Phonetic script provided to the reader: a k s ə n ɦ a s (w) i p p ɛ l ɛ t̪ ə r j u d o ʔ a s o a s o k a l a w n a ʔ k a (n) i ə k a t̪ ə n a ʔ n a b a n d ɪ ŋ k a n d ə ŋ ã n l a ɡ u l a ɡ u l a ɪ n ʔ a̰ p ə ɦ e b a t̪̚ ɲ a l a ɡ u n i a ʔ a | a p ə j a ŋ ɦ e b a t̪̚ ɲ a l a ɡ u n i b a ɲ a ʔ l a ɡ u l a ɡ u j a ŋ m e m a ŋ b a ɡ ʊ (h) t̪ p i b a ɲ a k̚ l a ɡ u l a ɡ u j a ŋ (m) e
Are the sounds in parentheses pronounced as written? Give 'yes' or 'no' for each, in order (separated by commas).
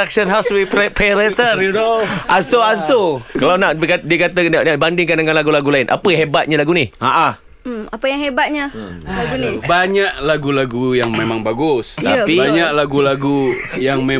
yes, no, no, yes